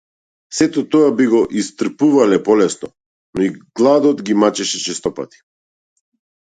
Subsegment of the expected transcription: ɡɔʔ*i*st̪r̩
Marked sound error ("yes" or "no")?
no